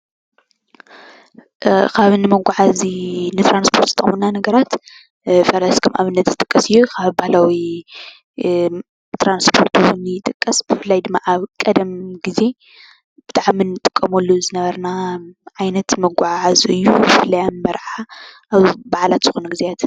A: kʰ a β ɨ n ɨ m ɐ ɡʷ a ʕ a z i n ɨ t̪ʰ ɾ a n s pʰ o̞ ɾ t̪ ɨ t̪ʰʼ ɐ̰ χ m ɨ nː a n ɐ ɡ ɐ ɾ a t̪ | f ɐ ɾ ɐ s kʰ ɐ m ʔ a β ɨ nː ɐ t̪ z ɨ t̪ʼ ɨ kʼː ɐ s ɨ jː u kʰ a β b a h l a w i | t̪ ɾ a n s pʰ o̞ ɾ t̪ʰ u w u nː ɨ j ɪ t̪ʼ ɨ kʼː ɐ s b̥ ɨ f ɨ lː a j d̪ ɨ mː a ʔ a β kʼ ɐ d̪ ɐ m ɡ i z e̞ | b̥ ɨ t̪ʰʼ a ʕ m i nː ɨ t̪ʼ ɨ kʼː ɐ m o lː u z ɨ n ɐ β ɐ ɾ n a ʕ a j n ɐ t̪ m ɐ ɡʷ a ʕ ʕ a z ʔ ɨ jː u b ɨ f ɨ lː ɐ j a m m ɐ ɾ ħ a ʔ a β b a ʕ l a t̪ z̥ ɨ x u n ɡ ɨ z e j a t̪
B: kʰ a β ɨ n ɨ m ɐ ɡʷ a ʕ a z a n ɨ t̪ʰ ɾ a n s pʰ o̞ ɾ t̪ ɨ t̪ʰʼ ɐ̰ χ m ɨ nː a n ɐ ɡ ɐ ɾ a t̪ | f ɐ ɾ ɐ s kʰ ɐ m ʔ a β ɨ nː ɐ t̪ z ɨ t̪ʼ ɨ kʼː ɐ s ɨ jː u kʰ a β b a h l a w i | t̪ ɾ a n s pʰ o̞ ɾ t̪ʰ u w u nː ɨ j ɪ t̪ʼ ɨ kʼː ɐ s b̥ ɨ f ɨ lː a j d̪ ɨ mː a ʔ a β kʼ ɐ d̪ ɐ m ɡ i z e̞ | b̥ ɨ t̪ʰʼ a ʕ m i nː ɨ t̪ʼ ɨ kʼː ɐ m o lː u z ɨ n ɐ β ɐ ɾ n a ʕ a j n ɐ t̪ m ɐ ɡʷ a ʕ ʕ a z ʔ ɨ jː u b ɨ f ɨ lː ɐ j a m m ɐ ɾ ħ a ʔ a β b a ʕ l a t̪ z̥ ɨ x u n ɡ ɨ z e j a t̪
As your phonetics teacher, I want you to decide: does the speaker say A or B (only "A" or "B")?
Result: A